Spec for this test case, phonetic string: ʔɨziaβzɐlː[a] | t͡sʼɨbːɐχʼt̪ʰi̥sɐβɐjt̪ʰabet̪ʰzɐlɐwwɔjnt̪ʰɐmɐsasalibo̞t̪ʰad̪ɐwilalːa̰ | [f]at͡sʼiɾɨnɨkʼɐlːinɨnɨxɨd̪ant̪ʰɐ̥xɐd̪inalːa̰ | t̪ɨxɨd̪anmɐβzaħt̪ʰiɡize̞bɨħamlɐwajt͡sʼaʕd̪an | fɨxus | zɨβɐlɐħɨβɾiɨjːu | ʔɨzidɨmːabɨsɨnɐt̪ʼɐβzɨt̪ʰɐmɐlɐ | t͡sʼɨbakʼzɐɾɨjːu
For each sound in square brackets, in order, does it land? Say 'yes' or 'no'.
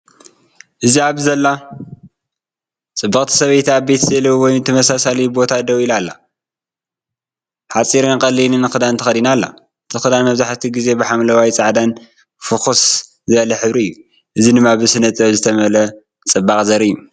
yes, no

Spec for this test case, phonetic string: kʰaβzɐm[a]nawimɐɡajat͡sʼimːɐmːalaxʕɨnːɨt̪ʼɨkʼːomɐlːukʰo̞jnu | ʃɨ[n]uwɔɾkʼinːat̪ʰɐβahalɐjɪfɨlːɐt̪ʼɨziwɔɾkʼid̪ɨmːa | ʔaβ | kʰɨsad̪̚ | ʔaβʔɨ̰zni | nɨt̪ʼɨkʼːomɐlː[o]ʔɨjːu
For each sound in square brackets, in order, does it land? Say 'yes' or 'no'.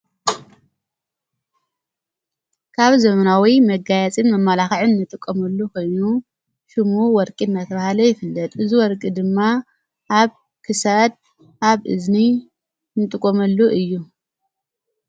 no, no, no

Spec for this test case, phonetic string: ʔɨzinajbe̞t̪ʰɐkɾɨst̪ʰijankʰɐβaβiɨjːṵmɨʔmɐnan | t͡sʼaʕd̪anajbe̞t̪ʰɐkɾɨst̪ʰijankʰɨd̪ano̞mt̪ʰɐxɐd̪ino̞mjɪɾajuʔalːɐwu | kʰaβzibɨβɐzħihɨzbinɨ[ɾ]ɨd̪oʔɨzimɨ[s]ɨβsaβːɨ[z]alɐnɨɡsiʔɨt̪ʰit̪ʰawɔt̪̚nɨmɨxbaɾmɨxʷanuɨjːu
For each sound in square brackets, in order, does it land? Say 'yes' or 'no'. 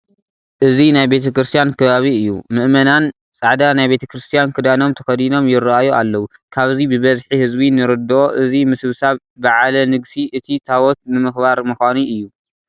yes, yes, no

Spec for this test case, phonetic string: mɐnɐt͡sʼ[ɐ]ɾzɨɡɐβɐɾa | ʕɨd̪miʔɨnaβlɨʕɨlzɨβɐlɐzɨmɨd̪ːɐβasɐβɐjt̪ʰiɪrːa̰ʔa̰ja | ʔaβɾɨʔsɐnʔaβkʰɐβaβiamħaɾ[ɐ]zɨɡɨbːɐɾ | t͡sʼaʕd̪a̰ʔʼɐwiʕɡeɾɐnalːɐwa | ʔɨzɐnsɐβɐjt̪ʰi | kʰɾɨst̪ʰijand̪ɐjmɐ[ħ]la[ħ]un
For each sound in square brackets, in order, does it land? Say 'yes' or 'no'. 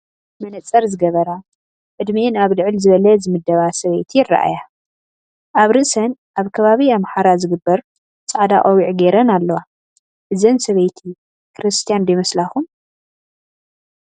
yes, no, no, no

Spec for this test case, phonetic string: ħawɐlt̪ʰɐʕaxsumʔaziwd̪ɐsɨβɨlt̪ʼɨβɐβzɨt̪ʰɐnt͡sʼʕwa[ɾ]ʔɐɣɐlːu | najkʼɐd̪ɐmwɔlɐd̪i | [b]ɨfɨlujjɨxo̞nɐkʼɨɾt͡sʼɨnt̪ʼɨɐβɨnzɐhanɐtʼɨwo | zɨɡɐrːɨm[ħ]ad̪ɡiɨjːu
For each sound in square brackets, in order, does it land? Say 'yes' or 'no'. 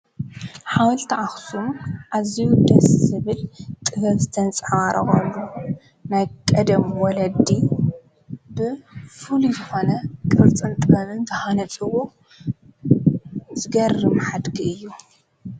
yes, yes, yes

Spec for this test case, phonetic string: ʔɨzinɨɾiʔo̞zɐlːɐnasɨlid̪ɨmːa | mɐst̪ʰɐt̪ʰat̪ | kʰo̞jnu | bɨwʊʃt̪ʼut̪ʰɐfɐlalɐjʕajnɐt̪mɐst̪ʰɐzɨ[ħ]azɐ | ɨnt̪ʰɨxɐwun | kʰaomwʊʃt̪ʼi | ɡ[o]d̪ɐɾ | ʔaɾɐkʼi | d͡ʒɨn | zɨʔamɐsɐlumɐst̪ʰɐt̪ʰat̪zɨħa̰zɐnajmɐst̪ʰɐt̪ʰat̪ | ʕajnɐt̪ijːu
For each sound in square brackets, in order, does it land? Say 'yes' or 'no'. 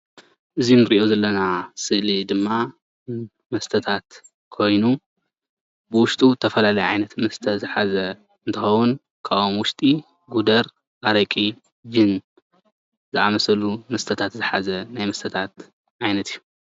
yes, no

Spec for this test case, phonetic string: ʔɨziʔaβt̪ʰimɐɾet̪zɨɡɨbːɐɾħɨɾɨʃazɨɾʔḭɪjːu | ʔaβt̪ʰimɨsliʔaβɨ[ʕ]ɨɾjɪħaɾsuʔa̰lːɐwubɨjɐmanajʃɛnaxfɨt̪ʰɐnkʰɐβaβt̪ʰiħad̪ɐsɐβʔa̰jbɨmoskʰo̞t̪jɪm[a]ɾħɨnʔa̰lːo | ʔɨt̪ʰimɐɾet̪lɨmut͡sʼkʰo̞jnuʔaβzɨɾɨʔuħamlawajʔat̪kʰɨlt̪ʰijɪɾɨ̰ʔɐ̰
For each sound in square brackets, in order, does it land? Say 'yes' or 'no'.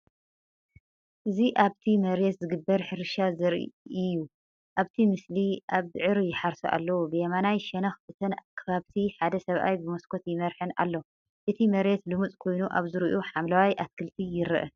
yes, no

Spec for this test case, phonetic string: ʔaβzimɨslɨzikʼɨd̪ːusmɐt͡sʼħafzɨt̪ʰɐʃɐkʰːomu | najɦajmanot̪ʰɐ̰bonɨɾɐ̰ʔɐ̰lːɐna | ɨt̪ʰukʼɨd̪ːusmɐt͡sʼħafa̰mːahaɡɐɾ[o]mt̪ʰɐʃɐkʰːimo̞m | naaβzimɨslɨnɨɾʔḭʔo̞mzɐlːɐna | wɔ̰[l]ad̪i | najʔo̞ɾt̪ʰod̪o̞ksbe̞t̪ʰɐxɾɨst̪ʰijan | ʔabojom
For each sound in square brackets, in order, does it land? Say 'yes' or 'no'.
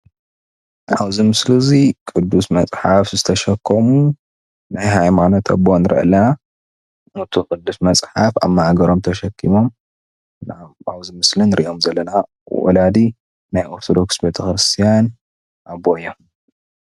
yes, yes

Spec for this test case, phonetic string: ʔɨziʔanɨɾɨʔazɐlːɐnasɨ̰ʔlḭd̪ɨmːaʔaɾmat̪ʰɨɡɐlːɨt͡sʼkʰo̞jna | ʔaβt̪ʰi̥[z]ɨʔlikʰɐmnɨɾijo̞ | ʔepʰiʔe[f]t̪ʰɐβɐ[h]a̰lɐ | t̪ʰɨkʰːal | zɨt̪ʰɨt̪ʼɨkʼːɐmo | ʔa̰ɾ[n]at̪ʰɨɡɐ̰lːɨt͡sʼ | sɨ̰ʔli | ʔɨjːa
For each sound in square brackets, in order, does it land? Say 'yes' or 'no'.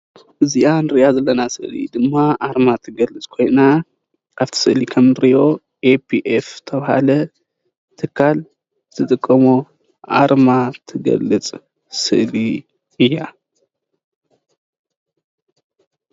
no, yes, yes, no

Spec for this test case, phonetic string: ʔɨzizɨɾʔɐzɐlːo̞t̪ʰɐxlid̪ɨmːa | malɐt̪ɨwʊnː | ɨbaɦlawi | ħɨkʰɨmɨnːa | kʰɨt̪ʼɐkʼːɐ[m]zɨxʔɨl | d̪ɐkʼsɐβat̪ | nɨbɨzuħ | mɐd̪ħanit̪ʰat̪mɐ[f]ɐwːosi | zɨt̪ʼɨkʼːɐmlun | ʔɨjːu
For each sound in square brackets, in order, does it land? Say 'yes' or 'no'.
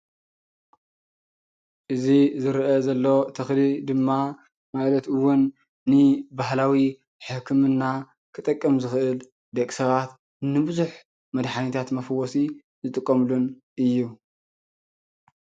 yes, yes

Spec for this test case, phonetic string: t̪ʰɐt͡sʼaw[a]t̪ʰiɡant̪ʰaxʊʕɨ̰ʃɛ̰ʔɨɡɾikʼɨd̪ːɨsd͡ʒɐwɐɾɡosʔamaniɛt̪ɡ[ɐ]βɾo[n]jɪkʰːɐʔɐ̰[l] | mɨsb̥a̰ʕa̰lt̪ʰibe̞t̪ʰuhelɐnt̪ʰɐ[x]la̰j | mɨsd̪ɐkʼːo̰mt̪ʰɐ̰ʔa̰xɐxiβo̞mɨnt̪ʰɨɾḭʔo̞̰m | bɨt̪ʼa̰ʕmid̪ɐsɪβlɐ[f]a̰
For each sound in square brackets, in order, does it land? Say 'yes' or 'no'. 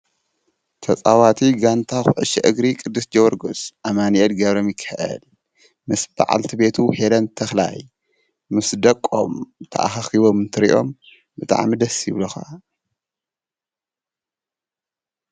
yes, yes, no, yes, yes, no

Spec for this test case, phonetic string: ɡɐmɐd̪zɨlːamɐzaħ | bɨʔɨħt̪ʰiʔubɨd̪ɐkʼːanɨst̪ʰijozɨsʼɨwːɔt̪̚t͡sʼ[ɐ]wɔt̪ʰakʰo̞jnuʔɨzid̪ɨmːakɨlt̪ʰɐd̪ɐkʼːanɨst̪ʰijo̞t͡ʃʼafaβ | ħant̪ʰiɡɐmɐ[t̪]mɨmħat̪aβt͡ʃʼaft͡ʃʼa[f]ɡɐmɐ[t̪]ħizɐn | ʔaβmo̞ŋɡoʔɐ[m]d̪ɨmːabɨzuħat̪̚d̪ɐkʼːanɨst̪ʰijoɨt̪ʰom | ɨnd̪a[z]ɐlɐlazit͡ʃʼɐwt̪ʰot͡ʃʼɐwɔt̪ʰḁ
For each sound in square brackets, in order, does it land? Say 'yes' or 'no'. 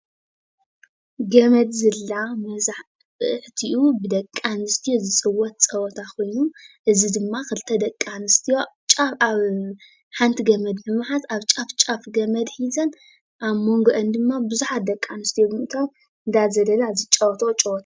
yes, no, yes, no, no, yes

